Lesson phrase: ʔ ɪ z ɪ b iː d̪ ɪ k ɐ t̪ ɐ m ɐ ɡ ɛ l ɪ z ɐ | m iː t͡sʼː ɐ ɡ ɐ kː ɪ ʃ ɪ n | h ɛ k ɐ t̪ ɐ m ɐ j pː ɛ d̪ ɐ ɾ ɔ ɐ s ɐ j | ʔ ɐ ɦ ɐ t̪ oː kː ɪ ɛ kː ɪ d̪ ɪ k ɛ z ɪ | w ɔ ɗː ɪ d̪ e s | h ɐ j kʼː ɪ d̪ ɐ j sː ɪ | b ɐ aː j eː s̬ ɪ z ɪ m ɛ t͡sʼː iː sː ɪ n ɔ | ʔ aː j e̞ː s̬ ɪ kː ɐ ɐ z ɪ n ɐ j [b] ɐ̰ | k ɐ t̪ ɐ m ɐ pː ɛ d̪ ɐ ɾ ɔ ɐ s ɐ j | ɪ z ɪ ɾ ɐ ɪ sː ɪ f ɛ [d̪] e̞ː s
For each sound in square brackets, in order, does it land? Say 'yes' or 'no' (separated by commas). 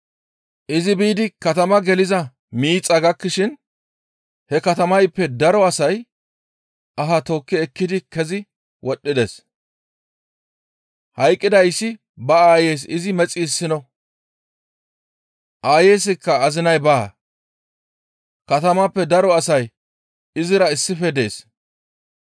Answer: yes, yes